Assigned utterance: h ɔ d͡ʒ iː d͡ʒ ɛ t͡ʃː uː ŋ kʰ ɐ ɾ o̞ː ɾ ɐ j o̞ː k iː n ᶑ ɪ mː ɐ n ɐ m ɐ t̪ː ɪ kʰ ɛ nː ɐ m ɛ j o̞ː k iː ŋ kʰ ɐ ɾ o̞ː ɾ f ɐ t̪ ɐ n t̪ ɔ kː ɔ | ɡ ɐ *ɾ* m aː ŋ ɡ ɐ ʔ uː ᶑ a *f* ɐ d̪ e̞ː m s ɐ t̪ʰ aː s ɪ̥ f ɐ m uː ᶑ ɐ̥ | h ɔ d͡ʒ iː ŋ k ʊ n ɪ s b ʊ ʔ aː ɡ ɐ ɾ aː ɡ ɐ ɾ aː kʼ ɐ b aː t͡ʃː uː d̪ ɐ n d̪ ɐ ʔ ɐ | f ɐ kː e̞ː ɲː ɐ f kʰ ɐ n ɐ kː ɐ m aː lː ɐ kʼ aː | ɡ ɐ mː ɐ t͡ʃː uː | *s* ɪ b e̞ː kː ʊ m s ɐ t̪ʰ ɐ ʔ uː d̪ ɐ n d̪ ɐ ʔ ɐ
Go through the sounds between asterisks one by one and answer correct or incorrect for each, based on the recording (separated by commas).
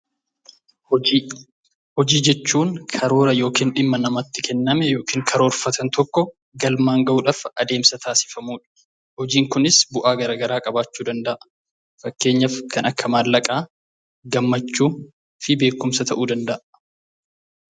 incorrect, correct, incorrect